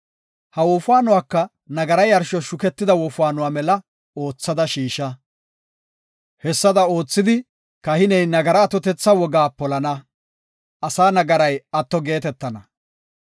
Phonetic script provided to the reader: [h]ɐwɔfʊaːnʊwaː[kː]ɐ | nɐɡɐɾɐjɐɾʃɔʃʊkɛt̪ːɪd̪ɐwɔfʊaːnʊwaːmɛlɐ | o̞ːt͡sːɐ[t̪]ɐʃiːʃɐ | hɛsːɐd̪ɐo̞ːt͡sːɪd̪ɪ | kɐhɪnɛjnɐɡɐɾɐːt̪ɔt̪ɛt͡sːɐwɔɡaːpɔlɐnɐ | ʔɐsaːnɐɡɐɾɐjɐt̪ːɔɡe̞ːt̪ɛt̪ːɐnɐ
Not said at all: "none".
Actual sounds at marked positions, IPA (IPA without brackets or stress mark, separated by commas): h, kː, d̪